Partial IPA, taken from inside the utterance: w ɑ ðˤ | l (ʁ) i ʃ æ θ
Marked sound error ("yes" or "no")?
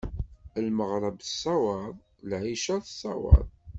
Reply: yes